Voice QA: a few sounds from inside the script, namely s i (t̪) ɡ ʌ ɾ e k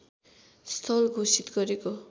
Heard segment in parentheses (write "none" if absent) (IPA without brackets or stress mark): t̪